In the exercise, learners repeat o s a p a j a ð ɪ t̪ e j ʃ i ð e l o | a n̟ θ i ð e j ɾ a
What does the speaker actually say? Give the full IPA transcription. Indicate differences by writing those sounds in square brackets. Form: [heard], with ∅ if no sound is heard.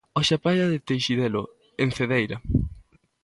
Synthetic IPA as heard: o [ʃ] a p a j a ð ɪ t̪ e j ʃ i ð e l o | [e] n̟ θ [e] ð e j ɾ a